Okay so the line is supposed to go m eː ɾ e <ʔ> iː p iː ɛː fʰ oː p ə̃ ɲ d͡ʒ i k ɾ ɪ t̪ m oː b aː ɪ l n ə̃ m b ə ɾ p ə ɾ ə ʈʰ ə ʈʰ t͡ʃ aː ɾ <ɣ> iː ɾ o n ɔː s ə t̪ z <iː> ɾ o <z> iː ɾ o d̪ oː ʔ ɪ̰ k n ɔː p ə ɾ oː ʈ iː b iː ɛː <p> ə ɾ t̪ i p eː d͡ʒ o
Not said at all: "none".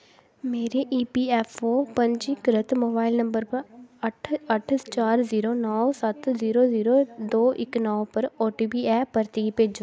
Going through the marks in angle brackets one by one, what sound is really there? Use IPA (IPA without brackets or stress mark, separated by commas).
ʔ, z, iː, z, p